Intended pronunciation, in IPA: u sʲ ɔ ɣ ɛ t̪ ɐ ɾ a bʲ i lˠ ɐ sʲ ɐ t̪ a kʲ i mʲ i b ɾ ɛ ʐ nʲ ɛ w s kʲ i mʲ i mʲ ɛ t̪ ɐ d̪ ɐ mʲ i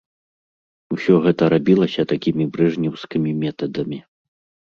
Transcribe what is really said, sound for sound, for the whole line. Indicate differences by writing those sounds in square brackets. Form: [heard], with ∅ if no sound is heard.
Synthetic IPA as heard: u sʲ ɔ ɣ ɛ t̪ ɐ ɾ a bʲ i lˠ ɐ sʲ ɐ t̪ a kʲ i mʲ i b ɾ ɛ ʐ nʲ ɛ w s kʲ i mʲ i mʲ ɛ t̪ ɐ d̪ ɐ mʲ i